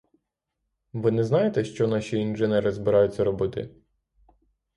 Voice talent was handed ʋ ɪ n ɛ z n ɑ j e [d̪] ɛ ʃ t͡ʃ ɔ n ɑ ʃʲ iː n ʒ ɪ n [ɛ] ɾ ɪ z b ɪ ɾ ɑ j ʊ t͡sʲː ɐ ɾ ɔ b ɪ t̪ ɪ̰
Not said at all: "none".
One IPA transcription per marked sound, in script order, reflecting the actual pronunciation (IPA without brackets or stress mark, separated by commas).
t̪, ɛ